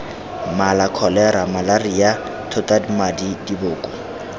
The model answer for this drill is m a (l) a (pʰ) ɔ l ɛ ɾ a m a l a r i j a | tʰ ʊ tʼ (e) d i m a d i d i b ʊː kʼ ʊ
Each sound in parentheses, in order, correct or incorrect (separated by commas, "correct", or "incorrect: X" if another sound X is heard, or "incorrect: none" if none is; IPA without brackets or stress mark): correct, incorrect: kʰ, incorrect: a